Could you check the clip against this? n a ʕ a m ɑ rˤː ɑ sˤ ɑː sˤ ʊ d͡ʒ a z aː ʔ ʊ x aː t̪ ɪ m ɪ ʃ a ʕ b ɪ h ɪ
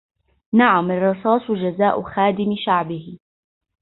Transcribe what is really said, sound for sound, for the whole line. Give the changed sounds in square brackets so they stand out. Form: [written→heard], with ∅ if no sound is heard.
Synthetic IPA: n a ʕ a m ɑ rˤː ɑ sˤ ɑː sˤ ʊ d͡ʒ a z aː ʔ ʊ x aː [t̪→d̪] ɪ m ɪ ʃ a ʕ b ɪ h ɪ